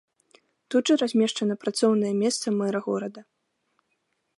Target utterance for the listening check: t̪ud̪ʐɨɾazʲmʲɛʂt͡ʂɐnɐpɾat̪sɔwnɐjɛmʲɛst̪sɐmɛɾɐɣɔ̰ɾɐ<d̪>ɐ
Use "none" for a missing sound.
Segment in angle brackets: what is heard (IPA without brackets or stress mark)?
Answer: d̪